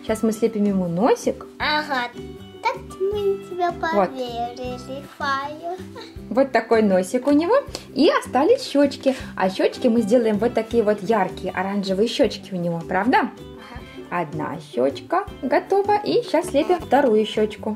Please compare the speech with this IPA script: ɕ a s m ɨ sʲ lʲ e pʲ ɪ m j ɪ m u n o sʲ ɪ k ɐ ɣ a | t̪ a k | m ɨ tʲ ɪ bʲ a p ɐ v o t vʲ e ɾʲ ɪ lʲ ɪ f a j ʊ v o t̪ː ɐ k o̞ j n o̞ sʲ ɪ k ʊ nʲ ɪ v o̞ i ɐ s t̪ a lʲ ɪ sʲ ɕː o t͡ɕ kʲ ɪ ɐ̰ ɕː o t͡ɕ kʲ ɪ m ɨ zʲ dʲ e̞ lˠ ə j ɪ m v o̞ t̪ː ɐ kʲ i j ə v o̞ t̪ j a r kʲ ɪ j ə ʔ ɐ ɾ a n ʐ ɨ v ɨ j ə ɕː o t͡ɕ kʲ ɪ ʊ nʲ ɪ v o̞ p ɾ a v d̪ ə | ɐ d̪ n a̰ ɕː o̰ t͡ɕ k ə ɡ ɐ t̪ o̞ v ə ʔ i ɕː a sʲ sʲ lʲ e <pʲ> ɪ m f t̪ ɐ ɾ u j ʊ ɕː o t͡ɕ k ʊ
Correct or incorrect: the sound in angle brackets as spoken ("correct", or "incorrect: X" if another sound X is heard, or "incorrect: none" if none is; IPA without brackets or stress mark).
correct